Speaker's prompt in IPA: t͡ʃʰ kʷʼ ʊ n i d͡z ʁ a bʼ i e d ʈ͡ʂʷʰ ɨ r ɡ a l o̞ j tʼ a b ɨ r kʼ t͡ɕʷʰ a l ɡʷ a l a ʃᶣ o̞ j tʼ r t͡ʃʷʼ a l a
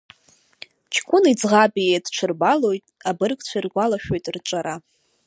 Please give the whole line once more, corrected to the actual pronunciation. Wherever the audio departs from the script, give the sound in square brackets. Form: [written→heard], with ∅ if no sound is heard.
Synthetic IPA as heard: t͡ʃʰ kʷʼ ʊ n i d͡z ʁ a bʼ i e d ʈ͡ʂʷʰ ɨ r [ɡ→b] a l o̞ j tʼ a b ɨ r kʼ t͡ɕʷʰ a [l→r] ɡʷ a l a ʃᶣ o̞ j tʼ r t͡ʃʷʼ a [l→ɾ] a

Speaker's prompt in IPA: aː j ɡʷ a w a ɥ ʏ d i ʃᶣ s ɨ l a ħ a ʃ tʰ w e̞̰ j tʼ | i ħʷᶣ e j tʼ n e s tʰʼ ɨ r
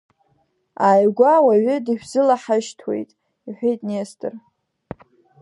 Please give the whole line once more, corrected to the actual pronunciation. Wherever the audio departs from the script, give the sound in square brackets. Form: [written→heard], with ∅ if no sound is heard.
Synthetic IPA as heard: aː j ɡʷ a w a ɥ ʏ d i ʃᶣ [s→z] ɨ l a ħ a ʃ tʰ w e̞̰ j tʼ | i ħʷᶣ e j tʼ n e s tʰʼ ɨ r

